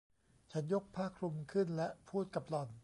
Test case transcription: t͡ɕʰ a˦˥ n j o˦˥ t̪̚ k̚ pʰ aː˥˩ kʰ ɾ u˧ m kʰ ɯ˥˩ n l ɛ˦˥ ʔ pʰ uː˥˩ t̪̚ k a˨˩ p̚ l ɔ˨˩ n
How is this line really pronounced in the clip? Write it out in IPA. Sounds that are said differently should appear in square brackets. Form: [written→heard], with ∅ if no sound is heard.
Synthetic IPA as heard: t͡ɕʰ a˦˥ n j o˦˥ [t̪̚→∅] k̚ pʰ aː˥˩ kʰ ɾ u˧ m kʰ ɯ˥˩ n l ɛ˦˥ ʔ pʰ uː˥˩ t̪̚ k a˨˩ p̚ l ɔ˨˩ n